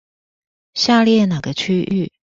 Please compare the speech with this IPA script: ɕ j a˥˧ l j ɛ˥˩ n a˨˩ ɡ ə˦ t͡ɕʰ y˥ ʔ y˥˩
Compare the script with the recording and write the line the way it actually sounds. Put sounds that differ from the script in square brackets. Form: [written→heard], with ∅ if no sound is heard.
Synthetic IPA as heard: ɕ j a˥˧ l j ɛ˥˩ n a˨˩ ɡ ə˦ t͡ɕʰ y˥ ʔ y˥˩